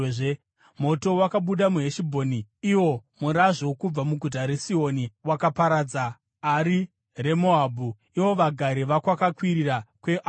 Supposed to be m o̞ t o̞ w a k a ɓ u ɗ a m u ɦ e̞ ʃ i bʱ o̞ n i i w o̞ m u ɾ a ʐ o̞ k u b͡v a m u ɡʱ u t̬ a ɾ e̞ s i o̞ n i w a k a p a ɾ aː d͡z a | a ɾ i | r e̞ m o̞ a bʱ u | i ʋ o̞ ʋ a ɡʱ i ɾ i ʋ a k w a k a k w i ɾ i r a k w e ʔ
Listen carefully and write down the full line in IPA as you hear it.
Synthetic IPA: m o̞ t o̞ w a k a ɓ u ɗ a m u ɦ e̞ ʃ i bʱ o̞ n i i w o̞ m u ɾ a ʐ o̞ k u b͡v a m u ɡʱ u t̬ a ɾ e̞ s i o̞ n i w a k a p a ɾ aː d͡z a | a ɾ i | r e̞ m o̞ a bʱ u | i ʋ o̞ ʋ a ɡʱ a ɾ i ʋ a k w a k a k w i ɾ i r a k w e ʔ